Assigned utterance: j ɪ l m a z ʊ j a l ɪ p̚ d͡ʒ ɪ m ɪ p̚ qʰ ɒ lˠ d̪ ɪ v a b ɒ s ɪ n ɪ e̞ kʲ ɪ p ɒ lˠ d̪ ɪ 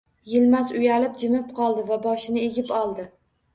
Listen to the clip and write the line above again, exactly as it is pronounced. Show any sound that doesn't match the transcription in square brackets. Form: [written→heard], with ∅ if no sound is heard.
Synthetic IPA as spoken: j ɪ l m a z ʊ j a l ɪ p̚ d͡ʒ ɪ m ɪ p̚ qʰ ɒ lˠ d̪ ɪ v a b ɒ [s→ʃ] ɪ n ɪ e̞ [kʲ→ɡʲ] ɪ p ɒ lˠ d̪ ɪ